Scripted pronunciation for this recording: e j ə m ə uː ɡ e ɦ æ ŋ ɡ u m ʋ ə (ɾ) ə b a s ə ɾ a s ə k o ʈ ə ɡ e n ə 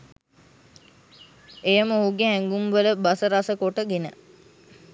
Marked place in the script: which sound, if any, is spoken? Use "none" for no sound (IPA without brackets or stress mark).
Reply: l